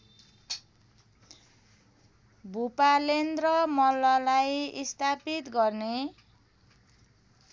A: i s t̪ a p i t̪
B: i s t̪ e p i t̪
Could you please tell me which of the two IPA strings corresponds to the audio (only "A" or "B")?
A